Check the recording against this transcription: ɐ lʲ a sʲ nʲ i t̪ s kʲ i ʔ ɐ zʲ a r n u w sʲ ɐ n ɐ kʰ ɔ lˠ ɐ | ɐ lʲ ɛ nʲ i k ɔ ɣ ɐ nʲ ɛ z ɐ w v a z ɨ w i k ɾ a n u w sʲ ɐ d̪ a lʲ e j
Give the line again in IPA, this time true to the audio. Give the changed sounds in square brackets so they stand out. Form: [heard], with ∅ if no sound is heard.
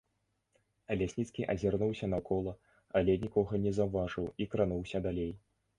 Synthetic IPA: ɐ lʲ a sʲ nʲ i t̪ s kʲ i ʔ ɐ zʲ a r n u w sʲ ɐ n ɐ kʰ ɔ lˠ ɐ | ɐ lʲ ɛ nʲ i k ɔ ɣ ɐ nʲ ɛ z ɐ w v a [ʐ] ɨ w i k ɾ a n u w sʲ ɐ d̪ a lʲ e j